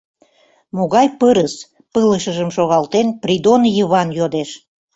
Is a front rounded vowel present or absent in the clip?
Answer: absent